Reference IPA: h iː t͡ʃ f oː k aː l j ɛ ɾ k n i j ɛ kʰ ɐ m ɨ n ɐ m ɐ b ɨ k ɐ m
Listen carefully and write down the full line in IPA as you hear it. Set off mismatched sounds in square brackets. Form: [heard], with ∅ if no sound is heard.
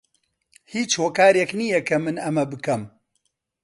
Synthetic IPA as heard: h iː t͡ʃ [h] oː k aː [ɾ] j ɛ [∅] k n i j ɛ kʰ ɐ m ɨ n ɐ m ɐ b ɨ k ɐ m

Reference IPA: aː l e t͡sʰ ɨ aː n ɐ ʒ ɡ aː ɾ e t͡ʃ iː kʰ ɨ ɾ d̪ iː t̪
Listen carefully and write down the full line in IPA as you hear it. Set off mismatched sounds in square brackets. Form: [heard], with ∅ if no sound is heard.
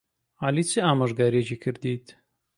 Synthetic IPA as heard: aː l [i] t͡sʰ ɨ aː [m] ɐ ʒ ɡ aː ɾ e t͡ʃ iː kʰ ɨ ɾ d̪ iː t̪

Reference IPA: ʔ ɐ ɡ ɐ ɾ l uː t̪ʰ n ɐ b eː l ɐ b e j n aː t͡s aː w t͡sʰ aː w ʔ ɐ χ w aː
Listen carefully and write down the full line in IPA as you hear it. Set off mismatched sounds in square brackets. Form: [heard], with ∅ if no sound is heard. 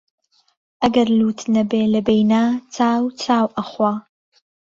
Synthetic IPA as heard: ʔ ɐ ɡ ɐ ɾ l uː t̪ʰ n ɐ b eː l ɐ b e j n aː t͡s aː w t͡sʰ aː w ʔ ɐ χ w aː

